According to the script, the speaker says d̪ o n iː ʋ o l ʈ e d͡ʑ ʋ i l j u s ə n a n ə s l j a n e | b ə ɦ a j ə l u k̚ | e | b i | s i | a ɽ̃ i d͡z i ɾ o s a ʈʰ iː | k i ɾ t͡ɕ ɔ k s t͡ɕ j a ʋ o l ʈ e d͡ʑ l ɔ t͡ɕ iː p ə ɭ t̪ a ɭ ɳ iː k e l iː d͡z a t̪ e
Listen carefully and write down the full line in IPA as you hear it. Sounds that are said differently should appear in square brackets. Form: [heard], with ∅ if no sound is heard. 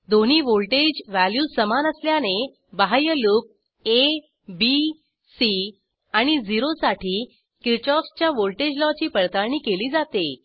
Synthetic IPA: d̪ o n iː ʋ o l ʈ e d͡ʑ ʋ [æ] l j u s ə [m] a n ə s l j a n e | b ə ɦ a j ə l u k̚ | e | b i | s i | a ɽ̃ i d͡z i ɾ o s a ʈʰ iː | k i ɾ t͡ɕ ɔ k s t͡ɕ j a ʋ o l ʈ e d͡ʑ l ɔ t͡ɕ iː p ə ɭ t̪ a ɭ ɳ iː k e l iː d͡z a t̪ e